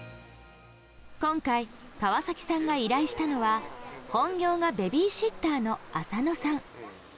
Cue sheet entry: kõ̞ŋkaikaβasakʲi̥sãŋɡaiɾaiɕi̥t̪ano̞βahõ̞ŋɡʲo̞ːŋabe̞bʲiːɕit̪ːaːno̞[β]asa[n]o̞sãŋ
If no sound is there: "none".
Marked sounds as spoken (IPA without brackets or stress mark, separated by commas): none, n